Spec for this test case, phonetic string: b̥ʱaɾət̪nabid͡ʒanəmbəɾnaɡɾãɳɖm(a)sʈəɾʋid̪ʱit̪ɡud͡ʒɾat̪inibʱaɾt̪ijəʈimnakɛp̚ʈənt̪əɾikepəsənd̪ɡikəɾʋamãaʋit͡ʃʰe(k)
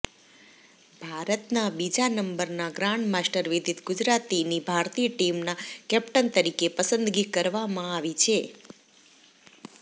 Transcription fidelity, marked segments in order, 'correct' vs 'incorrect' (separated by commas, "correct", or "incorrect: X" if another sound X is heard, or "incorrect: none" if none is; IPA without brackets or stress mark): correct, incorrect: none